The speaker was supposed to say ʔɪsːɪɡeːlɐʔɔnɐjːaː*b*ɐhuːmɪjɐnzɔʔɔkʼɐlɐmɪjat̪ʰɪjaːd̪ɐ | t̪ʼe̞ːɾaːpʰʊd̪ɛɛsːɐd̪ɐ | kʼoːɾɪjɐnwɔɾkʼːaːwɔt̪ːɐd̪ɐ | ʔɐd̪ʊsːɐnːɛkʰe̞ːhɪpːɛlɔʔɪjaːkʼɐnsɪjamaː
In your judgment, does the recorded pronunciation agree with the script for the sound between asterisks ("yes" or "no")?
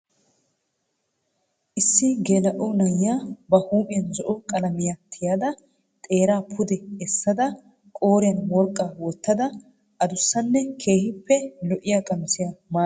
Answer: yes